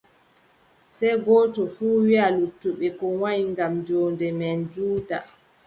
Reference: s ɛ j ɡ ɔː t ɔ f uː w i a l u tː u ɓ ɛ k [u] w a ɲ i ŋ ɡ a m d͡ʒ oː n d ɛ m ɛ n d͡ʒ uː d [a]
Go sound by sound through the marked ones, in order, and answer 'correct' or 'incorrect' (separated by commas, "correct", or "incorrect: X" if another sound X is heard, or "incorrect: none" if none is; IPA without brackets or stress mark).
incorrect: ɔ, correct